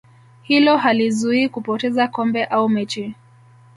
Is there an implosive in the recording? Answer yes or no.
no